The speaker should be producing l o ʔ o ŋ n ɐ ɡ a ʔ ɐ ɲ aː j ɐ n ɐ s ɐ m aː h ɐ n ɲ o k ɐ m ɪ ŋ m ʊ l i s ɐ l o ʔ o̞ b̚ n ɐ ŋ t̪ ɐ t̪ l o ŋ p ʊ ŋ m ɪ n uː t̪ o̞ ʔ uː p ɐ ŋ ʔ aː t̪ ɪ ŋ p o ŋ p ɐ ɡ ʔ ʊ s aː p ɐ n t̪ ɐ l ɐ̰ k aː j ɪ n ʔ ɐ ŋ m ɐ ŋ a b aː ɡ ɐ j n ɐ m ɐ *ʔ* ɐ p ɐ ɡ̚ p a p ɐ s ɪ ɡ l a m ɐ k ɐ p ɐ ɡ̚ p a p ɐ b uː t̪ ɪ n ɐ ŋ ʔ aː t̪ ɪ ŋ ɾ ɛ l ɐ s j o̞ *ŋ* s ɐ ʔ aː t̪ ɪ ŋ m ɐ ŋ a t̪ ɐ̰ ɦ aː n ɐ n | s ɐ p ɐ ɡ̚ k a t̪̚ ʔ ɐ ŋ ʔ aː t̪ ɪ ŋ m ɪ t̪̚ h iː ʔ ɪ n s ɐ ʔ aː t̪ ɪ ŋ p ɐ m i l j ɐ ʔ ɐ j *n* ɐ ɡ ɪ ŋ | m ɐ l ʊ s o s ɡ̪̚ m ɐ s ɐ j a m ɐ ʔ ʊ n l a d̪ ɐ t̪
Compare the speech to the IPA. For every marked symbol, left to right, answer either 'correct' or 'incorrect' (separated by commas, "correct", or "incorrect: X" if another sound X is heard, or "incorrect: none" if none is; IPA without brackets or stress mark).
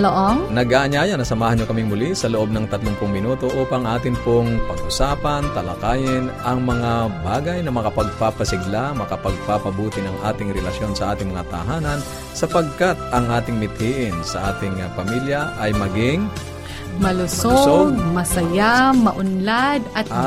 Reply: incorrect: k, incorrect: n, incorrect: m